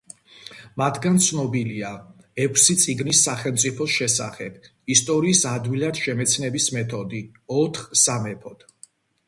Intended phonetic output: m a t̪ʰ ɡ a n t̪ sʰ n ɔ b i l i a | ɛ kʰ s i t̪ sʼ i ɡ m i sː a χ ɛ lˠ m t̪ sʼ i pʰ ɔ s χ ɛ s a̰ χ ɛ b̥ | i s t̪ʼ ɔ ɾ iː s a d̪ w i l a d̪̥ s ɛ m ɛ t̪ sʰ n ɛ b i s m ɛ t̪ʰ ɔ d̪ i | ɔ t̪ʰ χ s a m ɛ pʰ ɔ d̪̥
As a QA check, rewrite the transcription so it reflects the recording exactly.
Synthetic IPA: m a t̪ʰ ɡ a n t̪ sʰ n ɔ b i l i a | ɛ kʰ s i t̪ sʼ i ɡ n i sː a χ ɛ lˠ m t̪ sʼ i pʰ ɔ s ʃ ɛ s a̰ χ ɛ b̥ | i s t̪ʼ ɔ ɾ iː s a d̪ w i l a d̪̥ ʃ ɛ m ɛ t̪ sʰ n ɛ b i s m ɛ t̪ʰ ɔ d̪ i | ɔ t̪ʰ χ s a m ɛ pʰ ɔ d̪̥